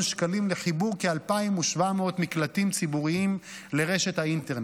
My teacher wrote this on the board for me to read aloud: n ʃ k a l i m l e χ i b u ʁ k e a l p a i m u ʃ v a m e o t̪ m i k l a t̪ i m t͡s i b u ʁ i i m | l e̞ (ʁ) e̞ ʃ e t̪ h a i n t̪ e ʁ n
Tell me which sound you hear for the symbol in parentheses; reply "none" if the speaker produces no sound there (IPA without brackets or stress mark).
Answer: ʁ